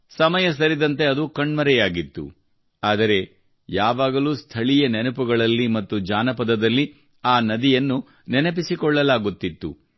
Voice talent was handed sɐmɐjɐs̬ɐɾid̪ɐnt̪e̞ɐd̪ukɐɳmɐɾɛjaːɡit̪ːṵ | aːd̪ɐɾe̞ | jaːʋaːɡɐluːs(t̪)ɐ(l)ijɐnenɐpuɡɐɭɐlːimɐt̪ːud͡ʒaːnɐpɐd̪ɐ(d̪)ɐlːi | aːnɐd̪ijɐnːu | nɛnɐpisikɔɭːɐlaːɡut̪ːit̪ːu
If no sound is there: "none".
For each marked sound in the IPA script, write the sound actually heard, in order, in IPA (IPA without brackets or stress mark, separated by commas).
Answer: t̪ʰ, ɭ, d̪